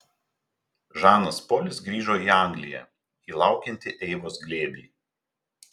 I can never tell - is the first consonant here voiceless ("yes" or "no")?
no